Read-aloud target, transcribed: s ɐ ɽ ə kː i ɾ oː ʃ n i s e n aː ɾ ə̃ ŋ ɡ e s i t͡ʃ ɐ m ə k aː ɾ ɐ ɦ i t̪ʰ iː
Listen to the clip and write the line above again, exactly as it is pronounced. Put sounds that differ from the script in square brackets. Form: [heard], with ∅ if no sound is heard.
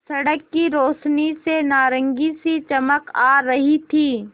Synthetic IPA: s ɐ ɽ ə kː i ɾ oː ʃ n i s e n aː ɾ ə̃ ŋ ɡ [i] s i t͡ʃ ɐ m ə k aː ɾ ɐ ɦ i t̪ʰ iː

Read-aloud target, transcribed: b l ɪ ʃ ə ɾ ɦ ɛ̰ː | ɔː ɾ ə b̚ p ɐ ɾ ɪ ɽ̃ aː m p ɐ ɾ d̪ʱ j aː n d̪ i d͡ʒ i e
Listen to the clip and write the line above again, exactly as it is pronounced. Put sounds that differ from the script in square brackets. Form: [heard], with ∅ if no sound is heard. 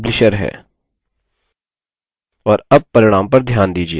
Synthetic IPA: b l ɪ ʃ ə ɾ ɦ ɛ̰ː | ɔː ɾ [ɐ] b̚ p ɐ ɾ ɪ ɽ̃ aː m p ɐ ɾ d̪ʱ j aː n d̪ [iː] d͡ʒ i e

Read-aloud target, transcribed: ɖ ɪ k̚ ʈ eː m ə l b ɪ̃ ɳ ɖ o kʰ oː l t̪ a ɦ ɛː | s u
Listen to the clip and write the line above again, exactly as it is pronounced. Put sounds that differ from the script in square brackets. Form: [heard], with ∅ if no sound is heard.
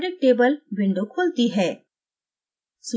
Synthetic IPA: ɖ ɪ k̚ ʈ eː [b] ə l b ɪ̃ ɳ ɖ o kʰ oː l t̪ [i] ɦ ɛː | s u

